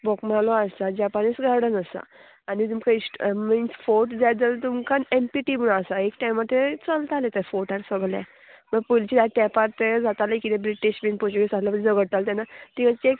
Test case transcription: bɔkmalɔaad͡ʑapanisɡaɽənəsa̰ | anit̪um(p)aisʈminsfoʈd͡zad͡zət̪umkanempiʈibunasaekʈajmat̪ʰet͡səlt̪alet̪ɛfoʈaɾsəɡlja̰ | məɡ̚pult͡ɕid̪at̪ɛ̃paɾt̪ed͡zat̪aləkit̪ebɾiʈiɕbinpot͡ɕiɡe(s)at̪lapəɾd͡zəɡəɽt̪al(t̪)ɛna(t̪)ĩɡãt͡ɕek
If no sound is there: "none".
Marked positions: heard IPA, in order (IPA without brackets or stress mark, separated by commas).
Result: k, s, t̪, t̪